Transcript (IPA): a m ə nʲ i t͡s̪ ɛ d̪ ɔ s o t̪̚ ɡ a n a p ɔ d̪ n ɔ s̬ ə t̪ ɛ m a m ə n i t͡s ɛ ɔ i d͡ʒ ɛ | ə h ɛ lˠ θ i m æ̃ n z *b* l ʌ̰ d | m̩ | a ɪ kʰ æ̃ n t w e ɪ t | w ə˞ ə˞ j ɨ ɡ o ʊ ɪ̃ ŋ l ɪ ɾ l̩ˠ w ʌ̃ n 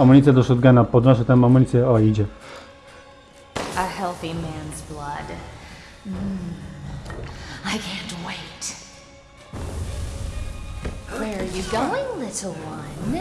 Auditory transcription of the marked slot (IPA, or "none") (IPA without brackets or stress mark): b